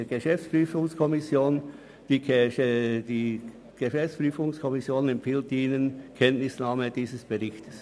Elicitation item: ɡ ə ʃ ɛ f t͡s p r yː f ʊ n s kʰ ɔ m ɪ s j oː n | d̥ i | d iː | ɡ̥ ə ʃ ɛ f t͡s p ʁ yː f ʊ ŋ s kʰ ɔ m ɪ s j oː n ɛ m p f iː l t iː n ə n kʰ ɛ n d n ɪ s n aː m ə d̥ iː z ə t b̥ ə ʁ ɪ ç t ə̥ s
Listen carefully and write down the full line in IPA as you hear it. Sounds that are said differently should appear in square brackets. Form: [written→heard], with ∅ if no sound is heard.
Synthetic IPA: ɡ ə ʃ ɛ f t͡s p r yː f ʊ [n→ŋ] s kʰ ɔ m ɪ s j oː n | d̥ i | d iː | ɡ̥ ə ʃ ɛ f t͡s p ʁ yː f ʊ ŋ s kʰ ɔ m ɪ s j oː n ɛ m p f iː l t iː n ə n kʰ ɛ n [d→t] n ɪ s n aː m ə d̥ iː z ə [t→s] b̥ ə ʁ ɪ ç t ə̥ s